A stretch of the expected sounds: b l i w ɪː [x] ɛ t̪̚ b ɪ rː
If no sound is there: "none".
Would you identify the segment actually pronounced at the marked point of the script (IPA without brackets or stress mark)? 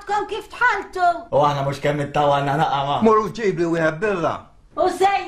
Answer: ħ